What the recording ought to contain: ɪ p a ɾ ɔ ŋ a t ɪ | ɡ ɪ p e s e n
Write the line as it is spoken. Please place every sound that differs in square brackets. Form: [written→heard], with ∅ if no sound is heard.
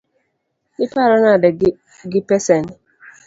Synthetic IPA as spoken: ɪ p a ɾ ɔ [ŋ→n] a [t→d] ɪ | ɡ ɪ p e s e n